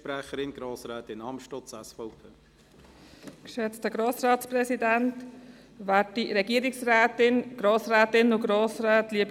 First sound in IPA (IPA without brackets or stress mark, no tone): p